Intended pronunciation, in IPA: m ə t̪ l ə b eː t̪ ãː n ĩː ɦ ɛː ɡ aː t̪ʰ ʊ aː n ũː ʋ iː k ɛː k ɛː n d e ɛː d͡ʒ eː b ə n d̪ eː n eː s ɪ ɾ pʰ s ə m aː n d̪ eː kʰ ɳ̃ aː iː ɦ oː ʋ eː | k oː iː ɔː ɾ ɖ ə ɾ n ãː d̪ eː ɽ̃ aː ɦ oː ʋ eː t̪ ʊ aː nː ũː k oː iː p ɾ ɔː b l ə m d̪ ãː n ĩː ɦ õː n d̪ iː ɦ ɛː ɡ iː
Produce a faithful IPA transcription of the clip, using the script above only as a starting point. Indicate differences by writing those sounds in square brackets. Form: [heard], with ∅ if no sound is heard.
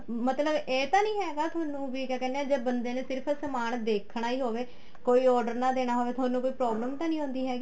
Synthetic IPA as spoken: m ə t̪ l ə b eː t̪ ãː n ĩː ɦ ɛː ɡ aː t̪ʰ ʊ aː n ũː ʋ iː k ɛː k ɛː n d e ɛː d͡ʒ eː b ə n d̪ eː n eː s ɪ ɾ pʰ s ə m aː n d̪ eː kʰ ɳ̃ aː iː ɦ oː ʋ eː | k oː iː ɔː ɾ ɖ ə ɾ n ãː d̪ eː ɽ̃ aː ɦ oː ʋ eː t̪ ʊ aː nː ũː k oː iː p ɾ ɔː b l ə m [t̪] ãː n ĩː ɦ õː n d̪ iː ɦ ɛː ɡ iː